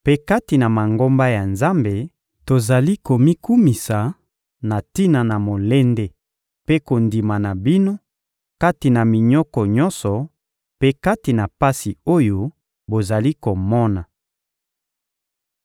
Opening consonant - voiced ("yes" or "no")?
no